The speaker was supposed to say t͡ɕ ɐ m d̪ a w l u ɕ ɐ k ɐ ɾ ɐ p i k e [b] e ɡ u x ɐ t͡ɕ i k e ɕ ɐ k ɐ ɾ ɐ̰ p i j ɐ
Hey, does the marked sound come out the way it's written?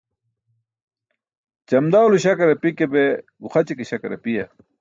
yes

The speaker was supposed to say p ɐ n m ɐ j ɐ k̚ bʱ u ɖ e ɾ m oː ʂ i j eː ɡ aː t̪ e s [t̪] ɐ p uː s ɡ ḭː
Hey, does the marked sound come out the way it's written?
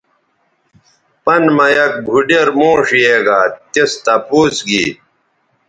yes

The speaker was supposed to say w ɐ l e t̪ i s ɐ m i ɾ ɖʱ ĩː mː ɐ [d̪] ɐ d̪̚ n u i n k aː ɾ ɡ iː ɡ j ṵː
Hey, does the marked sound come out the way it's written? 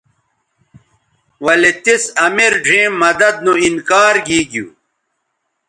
yes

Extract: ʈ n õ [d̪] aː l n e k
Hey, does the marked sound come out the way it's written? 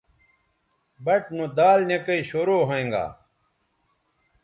yes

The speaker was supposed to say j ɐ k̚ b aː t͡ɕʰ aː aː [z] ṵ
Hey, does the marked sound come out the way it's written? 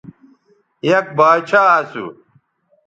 no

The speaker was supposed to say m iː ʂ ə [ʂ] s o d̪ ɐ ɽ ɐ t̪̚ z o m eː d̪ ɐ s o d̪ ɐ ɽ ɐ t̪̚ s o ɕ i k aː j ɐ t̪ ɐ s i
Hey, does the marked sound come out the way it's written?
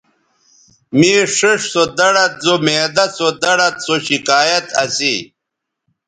yes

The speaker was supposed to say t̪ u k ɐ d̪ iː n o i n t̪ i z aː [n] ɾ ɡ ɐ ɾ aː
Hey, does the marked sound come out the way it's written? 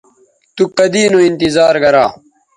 no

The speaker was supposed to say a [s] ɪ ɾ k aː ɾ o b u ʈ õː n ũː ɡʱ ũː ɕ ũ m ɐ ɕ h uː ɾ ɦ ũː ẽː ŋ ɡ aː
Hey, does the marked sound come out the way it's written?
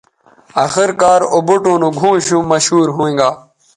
no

